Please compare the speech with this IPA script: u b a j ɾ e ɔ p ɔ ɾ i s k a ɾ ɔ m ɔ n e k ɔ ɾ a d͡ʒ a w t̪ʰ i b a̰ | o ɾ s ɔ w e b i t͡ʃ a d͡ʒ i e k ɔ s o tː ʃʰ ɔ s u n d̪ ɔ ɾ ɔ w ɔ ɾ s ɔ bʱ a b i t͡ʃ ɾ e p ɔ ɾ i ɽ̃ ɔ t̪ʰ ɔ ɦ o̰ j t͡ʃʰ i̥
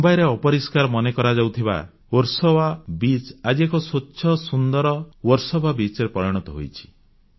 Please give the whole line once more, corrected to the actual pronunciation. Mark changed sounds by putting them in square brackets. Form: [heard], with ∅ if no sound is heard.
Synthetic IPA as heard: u b a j ɾ e ɔ p ɔ ɾ i s k a ɾ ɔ m ɔ n e k ɔ ɾ a d͡ʒ a w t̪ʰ i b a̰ | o ɾ s ɔ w [a] b i t͡ʃ a d͡ʒ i e k ɔ s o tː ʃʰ ɔ s u n d̪ ɔ ɾ ɔ w ɔ ɾ s ɔ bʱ a b i t͡ʃ ɾ e p ɔ ɾ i ɽ̃ ɔ [t̪] ɔ ɦ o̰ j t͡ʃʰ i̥

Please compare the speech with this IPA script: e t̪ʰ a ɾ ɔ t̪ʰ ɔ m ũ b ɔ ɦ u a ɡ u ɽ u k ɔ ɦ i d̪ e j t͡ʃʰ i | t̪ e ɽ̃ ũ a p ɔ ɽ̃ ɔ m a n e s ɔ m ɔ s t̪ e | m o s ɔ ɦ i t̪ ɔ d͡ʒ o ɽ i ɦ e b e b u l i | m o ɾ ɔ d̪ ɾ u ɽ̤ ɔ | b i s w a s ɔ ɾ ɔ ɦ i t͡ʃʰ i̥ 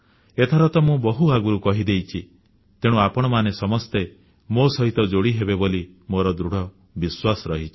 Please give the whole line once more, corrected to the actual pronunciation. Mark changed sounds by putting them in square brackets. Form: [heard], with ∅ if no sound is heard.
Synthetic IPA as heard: e t̪ʰ a ɾ ɔ [t̪] ɔ m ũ b ɔ ɦ u a ɡ u [ɾ] u k ɔ ɦ i d̪ e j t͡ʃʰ i | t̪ e ɽ̃ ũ a p ɔ ɽ̃ ɔ m a n e s ɔ m ɔ s t̪ e | m o s ɔ ɦ i t̪ ɔ d͡ʒ o ɽ i ɦ e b e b [o] l i | m o ɾ ɔ d̪ ɾ u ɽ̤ ɔ | b i s w a s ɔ ɾ ɔ ɦ i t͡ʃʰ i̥

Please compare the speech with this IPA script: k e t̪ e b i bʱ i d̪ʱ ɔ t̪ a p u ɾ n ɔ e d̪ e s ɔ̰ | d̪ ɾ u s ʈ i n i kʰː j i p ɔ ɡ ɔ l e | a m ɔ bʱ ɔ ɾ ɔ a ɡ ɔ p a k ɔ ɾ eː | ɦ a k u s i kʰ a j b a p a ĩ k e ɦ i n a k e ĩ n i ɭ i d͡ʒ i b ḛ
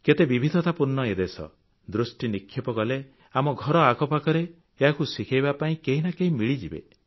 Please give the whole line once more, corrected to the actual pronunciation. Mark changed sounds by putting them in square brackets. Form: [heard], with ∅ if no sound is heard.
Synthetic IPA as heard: k e t̪ e b i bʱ i d̪ʱ ɔ t̪ a p u ɾ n ɔ e d̪ e s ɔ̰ | d̪ ɾ u s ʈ i n i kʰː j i p ɔ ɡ ɔ l e | a m ɔ [ɡʱ] ɔ ɾ ɔ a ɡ ɔ p a k ɔ ɾ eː | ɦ a k u s i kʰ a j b a p a ĩ k e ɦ i n a k e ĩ [m] i ɭ i d͡ʒ i b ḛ

